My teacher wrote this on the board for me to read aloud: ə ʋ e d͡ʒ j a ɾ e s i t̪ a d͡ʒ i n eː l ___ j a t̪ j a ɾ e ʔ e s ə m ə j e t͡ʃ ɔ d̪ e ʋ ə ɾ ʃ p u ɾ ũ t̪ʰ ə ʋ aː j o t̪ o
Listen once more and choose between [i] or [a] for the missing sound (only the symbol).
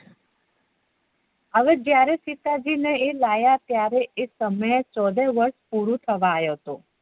a